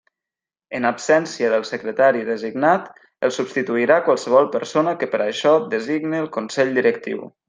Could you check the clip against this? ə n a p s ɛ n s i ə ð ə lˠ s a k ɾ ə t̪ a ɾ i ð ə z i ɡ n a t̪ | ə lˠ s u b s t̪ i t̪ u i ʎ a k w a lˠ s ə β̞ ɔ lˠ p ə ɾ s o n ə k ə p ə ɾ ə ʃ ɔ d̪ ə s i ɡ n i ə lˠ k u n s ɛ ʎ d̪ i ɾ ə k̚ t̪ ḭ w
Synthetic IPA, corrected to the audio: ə n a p s ɛ n s i ə ð ə lˠ s ə k ɾ ə t̪ a ɾ i ð ə z i ɡ n a t̪ | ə lˠ s u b s t̪ i t̪ u i ɾ a k w a lˠ s ə β̞ ɔ lˠ p ə ɾ s o n ə k ə p ə ɾ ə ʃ ɔ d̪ ə z i ɡ n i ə lˠ k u n s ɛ ʎ d̪ i ɾ ə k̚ t̪ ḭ w